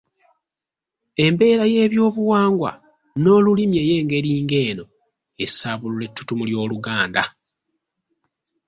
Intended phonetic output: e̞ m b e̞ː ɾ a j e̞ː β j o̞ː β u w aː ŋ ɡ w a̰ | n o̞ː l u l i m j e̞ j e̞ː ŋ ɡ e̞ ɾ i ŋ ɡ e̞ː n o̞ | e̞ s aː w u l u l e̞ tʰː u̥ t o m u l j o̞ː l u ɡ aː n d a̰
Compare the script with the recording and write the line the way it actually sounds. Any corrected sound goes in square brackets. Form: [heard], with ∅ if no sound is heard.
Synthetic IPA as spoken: e̞ m b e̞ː ɾ a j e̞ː β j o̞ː β u w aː ŋ ɡ w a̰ | n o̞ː l u l i m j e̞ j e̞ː ŋ ɡ e̞ ɾ [iː] ŋ ɡ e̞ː n o̞ | e̞ s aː [β] u l u l e̞ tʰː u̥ t [u] m u l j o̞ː l u ɡ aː n d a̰